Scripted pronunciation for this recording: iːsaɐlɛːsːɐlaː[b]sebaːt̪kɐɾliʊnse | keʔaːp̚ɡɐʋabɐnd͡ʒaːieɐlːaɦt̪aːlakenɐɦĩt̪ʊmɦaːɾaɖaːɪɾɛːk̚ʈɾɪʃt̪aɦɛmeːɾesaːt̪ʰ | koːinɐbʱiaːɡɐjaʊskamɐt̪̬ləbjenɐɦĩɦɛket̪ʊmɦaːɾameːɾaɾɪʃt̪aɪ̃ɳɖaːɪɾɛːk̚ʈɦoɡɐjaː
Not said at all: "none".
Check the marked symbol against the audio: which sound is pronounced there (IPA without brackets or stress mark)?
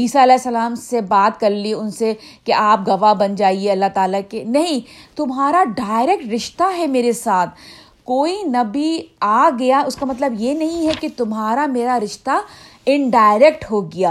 m